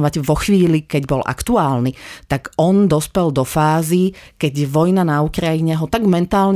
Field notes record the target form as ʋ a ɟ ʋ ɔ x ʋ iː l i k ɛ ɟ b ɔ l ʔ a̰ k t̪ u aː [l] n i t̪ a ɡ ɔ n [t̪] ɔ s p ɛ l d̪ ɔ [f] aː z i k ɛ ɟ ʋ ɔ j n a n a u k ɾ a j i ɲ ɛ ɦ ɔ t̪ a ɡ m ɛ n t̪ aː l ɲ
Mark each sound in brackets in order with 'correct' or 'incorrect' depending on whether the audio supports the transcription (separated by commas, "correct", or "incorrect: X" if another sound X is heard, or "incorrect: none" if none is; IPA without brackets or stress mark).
correct, incorrect: d̪, correct